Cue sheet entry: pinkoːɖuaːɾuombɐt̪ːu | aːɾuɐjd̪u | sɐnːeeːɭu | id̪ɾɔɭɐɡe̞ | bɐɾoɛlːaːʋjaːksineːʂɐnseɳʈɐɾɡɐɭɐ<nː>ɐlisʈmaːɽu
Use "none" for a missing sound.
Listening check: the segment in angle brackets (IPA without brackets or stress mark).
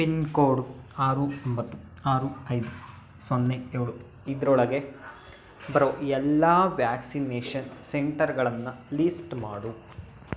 nː